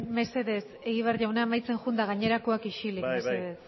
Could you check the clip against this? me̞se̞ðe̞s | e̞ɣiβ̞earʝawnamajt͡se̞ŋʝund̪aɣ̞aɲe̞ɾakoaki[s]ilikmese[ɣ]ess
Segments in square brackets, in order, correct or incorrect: incorrect, incorrect

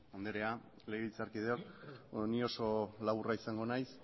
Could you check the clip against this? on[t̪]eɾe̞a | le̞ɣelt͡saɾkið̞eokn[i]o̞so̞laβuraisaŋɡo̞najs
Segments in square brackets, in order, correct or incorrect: incorrect, correct

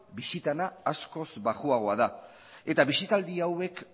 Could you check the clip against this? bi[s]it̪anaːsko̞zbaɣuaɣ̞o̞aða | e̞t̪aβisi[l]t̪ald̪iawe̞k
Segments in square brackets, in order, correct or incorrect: correct, incorrect

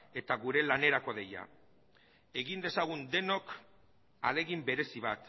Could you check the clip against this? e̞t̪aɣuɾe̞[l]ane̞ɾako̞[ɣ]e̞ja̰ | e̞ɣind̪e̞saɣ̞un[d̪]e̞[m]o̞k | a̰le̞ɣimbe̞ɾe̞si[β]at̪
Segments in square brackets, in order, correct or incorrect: correct, incorrect, correct, incorrect, correct

